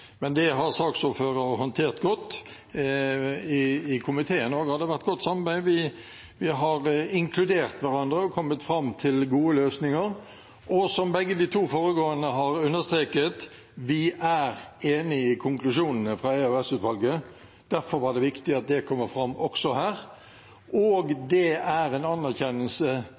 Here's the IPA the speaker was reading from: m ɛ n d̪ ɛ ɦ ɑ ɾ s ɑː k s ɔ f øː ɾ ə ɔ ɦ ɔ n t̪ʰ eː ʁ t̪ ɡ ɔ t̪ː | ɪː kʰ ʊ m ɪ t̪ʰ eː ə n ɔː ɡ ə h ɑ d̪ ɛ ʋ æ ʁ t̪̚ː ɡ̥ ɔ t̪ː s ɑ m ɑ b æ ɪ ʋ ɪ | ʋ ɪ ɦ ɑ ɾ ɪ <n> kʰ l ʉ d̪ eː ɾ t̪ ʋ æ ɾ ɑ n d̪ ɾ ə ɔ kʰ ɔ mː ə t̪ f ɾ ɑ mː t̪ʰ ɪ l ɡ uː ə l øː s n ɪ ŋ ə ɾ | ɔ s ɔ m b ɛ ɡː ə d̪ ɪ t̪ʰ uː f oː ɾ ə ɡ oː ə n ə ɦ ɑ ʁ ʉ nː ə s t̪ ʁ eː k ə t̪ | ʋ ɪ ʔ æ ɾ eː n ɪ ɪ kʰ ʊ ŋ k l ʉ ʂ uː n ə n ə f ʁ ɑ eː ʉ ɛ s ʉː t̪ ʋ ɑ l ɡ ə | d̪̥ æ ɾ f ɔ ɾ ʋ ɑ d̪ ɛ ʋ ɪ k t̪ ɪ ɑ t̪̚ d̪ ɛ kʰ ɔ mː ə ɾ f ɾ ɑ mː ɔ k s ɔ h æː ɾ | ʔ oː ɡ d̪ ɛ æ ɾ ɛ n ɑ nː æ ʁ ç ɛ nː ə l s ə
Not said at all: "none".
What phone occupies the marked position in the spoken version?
ŋ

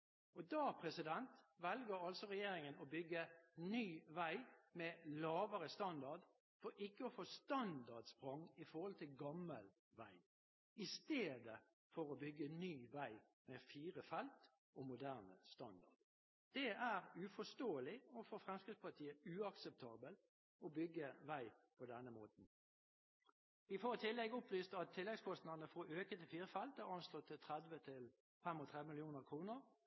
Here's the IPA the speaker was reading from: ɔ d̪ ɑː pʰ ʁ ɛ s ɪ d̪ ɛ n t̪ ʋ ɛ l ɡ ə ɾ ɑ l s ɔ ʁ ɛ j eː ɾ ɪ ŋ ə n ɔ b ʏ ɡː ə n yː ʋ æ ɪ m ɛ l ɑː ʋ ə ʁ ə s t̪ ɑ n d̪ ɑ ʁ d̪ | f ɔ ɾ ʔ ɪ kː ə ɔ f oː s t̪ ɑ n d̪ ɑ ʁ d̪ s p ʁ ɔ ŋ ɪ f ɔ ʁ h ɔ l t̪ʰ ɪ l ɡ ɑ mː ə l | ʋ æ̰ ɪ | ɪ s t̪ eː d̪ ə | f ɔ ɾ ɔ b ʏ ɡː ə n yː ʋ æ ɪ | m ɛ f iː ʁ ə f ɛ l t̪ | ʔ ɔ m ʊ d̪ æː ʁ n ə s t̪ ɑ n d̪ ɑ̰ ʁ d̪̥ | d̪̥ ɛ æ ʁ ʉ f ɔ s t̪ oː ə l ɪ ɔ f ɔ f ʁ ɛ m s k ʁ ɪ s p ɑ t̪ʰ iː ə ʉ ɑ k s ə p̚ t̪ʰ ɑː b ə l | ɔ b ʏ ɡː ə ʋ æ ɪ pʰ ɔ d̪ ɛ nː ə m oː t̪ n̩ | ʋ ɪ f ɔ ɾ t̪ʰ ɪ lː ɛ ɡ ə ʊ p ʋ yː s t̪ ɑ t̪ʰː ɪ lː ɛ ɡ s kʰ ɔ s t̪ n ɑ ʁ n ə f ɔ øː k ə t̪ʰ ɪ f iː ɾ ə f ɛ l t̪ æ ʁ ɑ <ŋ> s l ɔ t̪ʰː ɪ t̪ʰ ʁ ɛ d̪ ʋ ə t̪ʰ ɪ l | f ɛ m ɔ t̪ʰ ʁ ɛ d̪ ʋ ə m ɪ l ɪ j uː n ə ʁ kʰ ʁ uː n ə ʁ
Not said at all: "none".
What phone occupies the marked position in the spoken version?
n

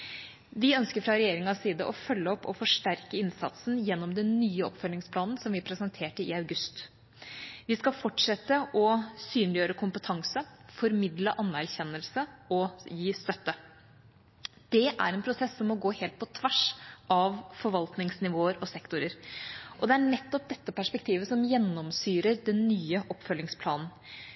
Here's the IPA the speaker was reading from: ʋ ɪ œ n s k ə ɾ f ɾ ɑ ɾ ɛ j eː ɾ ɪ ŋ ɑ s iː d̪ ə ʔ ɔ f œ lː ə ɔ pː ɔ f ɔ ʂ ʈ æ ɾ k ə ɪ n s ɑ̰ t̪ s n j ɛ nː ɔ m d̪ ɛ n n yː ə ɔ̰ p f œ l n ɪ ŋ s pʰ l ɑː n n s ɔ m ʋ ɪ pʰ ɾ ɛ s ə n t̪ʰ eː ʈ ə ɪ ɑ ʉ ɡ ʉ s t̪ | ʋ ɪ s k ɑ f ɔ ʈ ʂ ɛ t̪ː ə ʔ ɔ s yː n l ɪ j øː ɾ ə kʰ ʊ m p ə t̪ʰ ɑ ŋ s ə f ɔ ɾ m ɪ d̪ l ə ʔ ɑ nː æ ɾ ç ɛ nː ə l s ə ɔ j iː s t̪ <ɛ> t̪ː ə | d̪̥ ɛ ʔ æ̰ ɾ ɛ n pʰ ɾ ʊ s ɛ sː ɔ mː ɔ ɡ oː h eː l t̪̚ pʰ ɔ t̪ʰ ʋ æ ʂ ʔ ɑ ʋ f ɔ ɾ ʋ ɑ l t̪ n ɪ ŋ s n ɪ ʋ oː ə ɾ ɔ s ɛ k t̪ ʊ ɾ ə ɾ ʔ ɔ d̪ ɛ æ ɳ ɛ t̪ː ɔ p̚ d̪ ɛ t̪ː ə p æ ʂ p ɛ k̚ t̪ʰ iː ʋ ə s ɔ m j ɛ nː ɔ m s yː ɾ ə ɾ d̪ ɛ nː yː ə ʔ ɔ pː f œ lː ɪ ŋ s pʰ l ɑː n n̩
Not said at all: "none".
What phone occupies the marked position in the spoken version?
œ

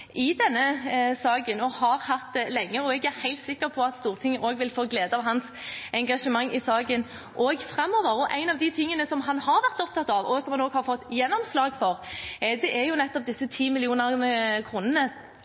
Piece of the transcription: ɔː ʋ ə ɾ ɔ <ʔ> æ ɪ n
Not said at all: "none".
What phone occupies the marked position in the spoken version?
ʔ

